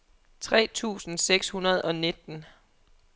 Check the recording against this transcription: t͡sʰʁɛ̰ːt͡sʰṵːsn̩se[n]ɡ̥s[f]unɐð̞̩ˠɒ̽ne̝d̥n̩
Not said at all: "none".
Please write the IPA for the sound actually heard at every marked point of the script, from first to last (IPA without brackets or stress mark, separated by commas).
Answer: none, h